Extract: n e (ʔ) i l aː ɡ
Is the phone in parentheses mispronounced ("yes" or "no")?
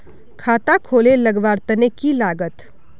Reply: yes